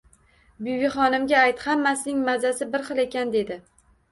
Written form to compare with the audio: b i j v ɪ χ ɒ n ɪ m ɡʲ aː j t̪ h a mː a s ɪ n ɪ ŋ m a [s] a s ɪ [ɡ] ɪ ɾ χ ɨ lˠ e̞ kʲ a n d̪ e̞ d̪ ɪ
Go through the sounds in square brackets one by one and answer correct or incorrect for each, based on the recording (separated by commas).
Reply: incorrect, incorrect